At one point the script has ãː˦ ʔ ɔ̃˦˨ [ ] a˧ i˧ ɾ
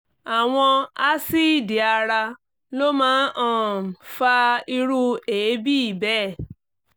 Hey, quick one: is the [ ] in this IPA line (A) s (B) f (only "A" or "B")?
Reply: B